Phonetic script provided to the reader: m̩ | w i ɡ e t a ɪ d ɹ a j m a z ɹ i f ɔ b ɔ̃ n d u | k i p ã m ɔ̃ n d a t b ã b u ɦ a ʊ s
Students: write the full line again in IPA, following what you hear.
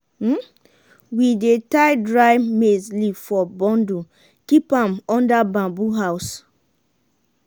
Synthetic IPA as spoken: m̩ | w i d e t a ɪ d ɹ a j m e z l i f ɔ b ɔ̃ n d u | k i p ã m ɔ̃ n d a b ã b u ɦ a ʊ s